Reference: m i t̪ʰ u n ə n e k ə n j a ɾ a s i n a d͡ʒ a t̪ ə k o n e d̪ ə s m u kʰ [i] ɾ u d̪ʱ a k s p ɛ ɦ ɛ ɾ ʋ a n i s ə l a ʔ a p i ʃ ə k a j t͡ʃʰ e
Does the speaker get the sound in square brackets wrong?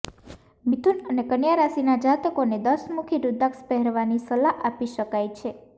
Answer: no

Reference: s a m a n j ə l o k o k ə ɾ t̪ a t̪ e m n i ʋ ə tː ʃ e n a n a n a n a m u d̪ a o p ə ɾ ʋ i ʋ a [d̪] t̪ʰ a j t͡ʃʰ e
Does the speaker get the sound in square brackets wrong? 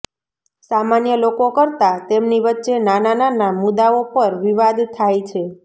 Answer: no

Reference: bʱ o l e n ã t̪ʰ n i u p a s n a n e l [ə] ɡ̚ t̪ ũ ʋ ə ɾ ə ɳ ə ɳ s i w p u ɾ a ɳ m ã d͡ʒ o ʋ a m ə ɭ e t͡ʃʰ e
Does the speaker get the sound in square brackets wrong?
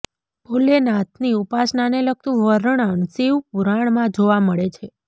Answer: no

